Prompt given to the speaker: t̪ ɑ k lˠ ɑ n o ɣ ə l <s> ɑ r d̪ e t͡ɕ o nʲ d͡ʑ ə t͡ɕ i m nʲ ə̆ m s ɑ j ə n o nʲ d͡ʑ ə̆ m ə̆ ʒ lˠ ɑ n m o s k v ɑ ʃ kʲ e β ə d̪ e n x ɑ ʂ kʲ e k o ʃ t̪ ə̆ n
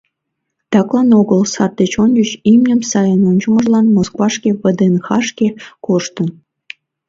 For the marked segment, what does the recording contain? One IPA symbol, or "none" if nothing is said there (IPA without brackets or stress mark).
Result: s